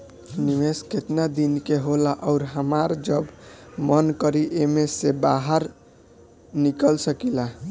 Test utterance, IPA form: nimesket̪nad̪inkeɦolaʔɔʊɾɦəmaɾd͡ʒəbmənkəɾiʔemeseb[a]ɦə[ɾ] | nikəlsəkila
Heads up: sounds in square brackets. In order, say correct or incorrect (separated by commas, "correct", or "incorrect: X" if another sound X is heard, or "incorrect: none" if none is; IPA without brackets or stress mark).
correct, correct